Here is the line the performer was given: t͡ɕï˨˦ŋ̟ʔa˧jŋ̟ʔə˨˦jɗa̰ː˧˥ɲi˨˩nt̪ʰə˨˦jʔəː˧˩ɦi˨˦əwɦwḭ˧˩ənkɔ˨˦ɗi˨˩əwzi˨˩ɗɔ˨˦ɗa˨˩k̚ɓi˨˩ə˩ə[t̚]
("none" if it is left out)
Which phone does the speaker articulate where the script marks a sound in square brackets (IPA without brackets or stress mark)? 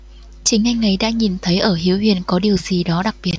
t̚